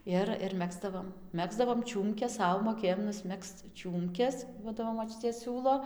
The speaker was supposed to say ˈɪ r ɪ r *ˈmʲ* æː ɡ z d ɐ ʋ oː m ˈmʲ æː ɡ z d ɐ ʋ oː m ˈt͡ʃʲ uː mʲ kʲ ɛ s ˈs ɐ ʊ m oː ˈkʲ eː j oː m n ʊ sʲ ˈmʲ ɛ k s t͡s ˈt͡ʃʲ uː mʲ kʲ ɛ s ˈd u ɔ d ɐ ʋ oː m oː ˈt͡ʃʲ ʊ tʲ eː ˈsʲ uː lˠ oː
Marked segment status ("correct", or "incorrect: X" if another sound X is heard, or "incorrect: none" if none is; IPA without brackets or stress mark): correct